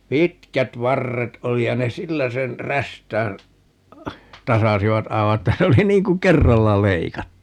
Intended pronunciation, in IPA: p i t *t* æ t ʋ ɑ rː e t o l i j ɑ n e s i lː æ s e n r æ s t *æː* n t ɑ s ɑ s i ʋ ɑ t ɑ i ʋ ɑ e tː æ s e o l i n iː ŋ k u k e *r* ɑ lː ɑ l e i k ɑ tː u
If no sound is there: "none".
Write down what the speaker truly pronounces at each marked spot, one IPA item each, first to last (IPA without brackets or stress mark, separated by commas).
k, æː, rː